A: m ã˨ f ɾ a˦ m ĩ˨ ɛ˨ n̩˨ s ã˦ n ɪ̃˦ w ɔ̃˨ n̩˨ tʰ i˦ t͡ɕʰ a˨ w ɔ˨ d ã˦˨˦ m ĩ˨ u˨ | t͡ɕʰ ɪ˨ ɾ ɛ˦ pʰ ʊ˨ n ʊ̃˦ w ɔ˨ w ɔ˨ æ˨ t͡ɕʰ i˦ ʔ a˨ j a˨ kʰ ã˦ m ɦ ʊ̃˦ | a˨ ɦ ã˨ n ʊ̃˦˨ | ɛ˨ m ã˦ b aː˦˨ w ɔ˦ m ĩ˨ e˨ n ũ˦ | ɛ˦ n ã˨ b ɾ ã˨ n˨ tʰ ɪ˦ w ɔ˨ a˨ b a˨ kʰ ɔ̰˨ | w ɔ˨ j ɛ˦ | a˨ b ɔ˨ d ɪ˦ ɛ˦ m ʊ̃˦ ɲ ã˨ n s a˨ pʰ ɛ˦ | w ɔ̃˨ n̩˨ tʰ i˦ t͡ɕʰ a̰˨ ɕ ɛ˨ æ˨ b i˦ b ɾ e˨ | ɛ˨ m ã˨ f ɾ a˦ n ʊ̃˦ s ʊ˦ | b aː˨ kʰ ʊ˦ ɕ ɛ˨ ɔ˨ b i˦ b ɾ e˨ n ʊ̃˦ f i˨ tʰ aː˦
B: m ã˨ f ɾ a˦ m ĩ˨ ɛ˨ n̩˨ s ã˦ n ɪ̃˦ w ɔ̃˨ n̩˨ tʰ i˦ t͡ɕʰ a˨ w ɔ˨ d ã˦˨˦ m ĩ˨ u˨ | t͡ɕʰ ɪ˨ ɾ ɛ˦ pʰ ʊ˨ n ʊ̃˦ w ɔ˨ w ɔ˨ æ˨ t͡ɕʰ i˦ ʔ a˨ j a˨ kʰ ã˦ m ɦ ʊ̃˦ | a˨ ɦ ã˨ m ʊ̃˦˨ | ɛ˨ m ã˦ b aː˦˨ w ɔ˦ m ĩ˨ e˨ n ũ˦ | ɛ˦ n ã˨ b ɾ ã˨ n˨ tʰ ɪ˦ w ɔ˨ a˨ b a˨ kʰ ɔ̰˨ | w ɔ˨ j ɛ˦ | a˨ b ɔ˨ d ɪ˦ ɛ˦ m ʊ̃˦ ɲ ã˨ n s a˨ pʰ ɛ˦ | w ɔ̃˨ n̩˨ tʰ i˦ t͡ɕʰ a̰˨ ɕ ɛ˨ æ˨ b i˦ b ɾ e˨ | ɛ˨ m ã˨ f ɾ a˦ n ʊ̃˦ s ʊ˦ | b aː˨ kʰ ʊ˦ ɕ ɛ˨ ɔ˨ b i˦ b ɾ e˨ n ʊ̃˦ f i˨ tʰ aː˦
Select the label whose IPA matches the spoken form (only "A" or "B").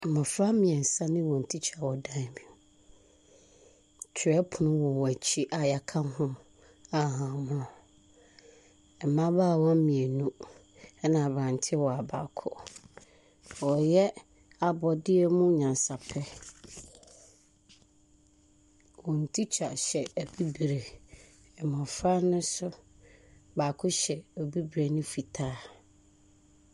B